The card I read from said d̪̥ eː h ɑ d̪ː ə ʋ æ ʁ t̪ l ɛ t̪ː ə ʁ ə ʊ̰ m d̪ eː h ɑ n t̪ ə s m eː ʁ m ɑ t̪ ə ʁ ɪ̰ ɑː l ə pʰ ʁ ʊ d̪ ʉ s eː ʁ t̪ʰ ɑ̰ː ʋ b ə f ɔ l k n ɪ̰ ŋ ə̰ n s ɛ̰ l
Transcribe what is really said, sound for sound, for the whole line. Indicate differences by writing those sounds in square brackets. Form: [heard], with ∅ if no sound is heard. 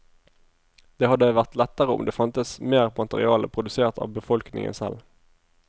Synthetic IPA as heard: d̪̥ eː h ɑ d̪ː ə ʋ æ ʁ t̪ l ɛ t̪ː ə ʁ ə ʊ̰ m d̪ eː [f] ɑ n t̪ ə s m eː ʁ m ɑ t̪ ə ʁ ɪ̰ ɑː l ə pʰ ʁ ʊ d̪ ʉ s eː ʁ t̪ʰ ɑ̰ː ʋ b ə f ɔ l k n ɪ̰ ŋ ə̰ n s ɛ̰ l

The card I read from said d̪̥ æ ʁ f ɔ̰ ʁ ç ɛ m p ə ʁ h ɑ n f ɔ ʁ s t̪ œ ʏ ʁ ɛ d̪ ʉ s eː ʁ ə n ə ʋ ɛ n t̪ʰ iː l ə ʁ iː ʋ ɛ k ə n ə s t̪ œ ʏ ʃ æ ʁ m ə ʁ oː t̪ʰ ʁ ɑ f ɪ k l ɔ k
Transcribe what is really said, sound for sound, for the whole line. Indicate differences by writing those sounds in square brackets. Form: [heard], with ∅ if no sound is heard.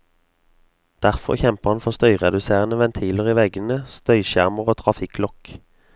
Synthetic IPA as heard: d̪̥ æ ʁ f ɔ̰ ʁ ç ɛ m p ə ʁ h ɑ n f ɔ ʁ s t̪ œ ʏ ʁ ɛ d̪ ʉ s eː ʁ ə n ə ʋ ɛ n t̪ʰ iː l ə ʁ iː ʋ ɛ [ɡ] ə n ə s t̪ œ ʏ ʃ æ ʁ m ə ʁ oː t̪ʰ ʁ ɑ f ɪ k l ɔ k

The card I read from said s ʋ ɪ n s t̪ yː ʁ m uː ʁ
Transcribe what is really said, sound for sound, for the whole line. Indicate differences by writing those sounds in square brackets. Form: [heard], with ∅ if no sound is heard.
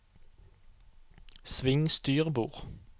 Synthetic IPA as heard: s ʋ ɪ [ŋ] s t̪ yː ʁ [b] uː ʁ

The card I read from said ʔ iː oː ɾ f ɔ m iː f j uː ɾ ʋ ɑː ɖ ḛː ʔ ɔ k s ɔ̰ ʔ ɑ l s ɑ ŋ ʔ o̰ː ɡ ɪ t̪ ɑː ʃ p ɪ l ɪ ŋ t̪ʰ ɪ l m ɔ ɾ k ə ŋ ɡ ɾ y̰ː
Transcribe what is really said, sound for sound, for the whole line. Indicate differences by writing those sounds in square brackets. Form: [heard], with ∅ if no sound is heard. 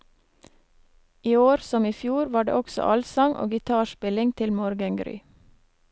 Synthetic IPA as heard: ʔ iː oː ɾ [s] ɔ m iː f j uː ɾ ʋ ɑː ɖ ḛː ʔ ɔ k s ɔ̰ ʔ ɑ l s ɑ ŋ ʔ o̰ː ɡ ɪ [t̪ʰ] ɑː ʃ p ɪ l ɪ ŋ t̪ʰ ɪ l m ɔ ɾ [ɡ] ə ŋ ɡ ɾ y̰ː

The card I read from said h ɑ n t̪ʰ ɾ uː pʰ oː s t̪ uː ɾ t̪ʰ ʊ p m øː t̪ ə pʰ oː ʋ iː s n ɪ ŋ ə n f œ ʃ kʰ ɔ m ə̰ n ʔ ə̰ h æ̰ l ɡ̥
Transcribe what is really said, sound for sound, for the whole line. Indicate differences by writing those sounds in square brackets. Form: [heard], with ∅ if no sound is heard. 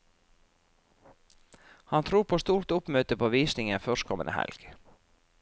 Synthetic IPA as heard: h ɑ n t̪ʰ ɾ uː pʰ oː s t̪ uː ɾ [t̪] ʊ p m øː t̪ ə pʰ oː ʋ iː s n ɪ ŋ ə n f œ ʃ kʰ ɔ m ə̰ n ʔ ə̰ h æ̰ l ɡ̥

